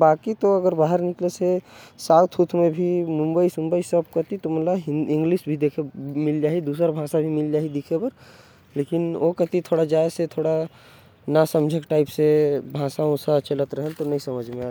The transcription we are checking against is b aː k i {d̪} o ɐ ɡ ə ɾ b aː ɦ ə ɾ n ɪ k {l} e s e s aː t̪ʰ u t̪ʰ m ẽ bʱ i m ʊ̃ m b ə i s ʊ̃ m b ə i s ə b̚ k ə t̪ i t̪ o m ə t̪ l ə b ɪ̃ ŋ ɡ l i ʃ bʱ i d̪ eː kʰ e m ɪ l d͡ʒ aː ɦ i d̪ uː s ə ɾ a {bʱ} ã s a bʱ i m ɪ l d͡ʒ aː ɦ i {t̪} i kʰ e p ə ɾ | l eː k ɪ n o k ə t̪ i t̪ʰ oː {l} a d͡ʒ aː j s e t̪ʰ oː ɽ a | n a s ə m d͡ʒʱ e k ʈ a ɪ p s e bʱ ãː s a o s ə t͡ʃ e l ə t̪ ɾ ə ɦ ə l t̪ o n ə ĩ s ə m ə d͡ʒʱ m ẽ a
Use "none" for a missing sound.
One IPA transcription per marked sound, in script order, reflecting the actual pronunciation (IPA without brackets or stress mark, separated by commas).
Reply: t̪, l, bʱ, d̪, ɽ